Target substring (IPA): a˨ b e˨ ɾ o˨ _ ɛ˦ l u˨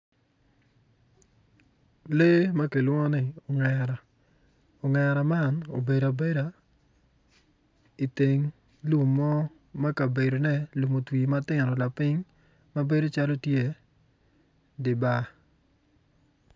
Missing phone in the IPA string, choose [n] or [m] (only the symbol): n